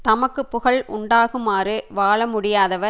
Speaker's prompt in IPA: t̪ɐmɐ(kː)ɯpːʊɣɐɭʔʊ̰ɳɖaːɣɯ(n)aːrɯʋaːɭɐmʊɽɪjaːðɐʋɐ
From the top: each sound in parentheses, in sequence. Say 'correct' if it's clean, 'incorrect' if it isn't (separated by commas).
correct, incorrect